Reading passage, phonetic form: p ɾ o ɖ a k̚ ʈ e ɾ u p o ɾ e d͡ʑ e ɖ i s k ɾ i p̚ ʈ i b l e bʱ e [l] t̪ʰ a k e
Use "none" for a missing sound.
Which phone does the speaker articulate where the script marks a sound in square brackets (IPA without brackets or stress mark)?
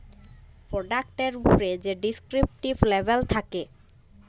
l